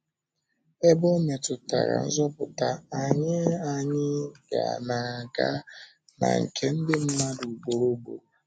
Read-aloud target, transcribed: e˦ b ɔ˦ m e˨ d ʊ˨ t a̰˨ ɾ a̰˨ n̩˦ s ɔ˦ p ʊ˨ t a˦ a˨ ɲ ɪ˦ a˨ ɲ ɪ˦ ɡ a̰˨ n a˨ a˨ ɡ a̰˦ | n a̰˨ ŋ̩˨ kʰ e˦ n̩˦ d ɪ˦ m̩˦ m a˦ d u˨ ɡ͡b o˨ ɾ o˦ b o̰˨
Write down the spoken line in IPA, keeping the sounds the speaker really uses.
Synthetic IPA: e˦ b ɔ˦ m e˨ t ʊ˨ t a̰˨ ɾ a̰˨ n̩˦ z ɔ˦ p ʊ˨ t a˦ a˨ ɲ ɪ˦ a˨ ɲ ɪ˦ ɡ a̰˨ n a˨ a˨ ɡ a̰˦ | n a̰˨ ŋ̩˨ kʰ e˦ n̩˦ d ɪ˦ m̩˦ m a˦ d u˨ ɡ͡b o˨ ɾ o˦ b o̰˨